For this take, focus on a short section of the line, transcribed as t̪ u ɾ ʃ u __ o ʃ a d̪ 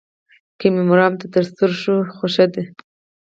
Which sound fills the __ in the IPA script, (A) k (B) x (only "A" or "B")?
B